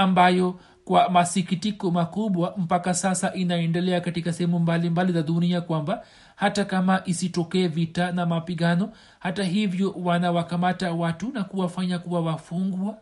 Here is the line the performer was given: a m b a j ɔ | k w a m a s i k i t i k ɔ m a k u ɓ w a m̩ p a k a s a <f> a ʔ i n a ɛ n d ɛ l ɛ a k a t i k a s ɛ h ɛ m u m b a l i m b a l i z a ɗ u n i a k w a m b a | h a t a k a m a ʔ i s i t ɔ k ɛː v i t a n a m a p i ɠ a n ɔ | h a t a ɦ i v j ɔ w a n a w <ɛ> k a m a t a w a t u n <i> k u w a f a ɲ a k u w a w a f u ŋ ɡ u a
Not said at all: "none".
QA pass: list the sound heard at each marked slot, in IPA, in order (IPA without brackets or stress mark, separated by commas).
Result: s, a, a